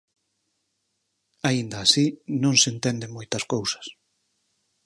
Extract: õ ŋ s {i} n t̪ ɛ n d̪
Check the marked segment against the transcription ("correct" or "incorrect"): incorrect